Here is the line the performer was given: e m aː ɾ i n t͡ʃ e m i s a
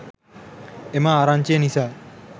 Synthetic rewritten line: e m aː ɾ a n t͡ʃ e n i s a